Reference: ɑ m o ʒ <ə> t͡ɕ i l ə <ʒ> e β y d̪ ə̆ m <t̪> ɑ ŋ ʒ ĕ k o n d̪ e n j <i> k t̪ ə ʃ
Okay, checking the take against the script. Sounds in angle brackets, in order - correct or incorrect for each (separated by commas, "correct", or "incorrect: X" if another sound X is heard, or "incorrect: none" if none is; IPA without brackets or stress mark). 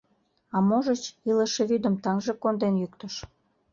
correct, incorrect: ʃ, correct, incorrect: y